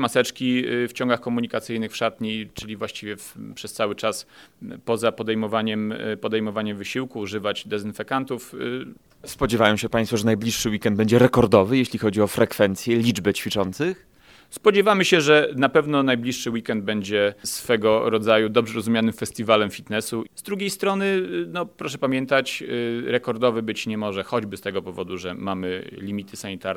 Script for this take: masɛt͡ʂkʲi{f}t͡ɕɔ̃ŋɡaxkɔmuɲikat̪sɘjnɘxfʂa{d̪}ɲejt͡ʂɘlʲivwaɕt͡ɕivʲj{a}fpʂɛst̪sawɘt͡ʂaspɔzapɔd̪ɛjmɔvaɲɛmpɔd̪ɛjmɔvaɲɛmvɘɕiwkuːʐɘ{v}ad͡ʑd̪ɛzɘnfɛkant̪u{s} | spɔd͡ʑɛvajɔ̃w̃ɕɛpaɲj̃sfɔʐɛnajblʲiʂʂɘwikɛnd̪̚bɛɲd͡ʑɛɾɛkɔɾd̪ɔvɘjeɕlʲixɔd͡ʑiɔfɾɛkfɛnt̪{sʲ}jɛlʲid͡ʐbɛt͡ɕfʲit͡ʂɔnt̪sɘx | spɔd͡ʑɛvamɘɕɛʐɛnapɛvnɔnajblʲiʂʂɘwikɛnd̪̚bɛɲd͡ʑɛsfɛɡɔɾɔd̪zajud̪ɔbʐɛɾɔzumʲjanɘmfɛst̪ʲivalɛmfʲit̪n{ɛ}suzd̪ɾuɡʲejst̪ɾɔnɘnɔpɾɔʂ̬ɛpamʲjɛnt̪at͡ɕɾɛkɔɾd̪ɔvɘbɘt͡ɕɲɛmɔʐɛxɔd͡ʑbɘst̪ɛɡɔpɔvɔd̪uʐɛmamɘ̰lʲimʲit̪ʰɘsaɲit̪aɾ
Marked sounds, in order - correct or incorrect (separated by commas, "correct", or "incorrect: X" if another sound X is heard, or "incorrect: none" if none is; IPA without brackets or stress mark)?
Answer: correct, incorrect: t̪, incorrect: ɛ, correct, incorrect: f, correct, correct